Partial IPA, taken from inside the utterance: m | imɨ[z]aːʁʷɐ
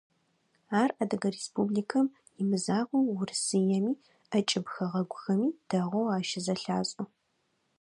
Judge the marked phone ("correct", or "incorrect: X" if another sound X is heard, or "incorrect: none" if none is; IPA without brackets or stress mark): correct